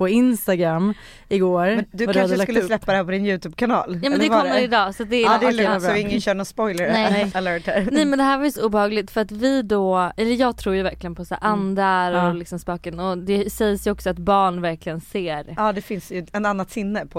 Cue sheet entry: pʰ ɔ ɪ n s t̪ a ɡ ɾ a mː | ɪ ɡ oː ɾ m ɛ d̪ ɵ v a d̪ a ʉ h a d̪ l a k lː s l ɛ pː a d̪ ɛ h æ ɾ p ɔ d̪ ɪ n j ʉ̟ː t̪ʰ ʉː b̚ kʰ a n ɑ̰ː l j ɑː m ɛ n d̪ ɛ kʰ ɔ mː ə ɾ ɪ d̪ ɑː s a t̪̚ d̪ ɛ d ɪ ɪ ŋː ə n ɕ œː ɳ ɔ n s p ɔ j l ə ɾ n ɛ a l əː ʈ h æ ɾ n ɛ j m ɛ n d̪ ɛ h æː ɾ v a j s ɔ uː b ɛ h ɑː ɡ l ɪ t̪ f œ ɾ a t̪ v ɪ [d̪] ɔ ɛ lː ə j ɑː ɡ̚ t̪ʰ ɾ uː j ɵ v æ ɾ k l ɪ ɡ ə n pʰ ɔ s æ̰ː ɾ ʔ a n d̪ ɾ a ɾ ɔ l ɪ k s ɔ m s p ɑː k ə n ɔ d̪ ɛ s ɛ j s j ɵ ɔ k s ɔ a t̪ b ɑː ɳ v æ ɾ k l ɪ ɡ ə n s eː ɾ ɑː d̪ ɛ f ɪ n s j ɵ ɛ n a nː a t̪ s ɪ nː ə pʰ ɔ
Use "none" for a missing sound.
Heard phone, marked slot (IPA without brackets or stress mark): d̪